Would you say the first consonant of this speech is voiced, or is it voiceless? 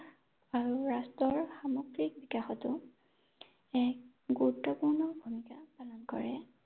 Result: voiced